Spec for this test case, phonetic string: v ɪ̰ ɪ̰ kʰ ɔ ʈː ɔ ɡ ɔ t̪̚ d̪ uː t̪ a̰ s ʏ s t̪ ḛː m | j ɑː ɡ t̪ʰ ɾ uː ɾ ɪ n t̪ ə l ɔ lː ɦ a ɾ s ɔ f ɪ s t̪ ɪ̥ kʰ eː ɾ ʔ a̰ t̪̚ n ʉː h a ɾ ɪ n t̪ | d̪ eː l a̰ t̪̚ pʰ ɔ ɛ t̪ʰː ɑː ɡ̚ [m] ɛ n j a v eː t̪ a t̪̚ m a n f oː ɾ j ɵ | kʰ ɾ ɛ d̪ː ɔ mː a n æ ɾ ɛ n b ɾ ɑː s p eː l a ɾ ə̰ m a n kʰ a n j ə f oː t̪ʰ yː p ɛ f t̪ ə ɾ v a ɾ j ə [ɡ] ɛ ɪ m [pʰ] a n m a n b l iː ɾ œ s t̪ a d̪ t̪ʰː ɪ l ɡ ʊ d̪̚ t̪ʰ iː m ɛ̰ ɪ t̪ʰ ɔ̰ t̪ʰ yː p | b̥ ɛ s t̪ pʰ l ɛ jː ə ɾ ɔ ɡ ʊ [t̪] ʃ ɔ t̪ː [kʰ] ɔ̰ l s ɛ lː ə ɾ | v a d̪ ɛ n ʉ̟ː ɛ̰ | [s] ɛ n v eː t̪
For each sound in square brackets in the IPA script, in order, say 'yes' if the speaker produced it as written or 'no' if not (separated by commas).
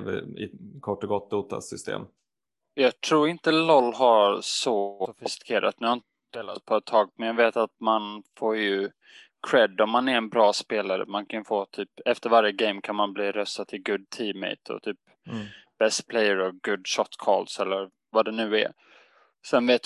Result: yes, yes, no, no, yes, yes